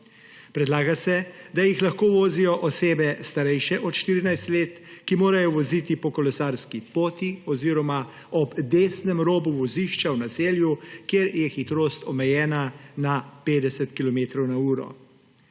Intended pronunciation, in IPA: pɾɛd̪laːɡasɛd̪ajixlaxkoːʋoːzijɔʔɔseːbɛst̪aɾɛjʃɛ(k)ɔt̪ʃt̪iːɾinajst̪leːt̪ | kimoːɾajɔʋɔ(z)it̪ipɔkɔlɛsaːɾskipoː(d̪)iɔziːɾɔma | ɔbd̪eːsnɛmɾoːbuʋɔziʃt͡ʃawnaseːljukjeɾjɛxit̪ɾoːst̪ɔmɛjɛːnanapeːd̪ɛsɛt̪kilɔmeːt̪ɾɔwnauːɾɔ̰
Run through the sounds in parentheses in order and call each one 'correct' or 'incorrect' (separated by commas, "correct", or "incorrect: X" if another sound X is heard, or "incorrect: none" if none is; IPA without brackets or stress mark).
incorrect: ʔ, correct, incorrect: t̪